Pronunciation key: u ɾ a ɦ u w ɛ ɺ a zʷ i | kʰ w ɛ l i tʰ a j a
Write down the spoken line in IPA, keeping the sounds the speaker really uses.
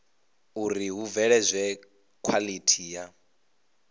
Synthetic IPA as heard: u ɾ i ɦ u v ɛ ɺ ɛ zʷ ɛ | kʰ w a l i tʰ i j a